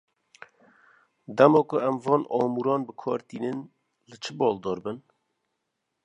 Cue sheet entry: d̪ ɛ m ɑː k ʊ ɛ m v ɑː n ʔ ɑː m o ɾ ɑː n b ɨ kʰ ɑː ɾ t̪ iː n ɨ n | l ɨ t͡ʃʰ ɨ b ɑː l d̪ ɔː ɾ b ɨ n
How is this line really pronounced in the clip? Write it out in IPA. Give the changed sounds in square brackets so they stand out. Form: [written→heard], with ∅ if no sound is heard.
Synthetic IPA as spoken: d̪ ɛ m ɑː k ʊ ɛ m v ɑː n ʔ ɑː m [o→u] ɾ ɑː n b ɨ kʰ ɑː ɾ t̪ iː n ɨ n | l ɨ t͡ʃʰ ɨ b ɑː l d̪ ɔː ɾ b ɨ n